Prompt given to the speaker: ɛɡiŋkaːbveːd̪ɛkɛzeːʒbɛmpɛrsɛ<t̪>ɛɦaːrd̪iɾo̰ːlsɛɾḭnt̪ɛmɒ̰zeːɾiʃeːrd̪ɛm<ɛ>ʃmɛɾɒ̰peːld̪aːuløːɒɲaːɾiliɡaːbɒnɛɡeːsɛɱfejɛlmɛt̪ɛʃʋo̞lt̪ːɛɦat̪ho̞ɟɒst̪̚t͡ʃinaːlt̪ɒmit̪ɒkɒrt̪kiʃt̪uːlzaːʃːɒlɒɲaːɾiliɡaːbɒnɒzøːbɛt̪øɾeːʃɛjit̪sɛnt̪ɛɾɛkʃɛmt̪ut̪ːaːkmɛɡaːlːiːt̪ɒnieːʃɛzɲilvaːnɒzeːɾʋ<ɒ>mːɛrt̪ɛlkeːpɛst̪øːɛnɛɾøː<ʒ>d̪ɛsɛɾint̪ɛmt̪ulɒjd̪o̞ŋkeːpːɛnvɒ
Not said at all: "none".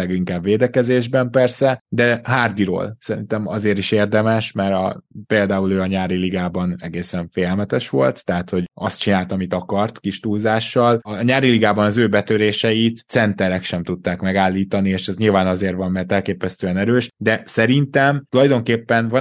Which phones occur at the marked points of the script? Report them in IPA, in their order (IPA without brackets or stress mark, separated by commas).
d̪, ɛ, ɒ, ʃ